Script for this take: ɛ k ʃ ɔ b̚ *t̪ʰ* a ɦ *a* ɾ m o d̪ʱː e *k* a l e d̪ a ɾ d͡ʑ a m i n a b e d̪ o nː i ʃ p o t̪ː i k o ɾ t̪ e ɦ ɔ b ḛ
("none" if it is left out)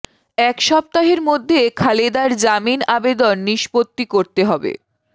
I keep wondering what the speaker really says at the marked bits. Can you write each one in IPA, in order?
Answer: t̪, e, kʰ

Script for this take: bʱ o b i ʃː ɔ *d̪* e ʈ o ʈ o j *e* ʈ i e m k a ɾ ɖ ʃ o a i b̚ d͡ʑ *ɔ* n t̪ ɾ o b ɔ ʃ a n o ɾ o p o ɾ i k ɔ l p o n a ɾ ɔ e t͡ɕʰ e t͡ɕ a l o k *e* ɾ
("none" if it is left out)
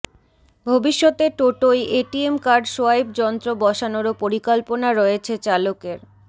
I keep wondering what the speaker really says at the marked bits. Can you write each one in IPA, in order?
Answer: t̪, e, ɔ, e

